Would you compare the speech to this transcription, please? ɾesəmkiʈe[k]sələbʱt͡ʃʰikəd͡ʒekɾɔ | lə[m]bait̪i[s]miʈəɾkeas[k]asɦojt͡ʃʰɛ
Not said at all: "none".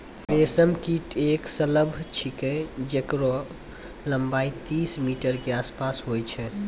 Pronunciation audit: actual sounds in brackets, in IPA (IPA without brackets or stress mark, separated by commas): k, m, s, p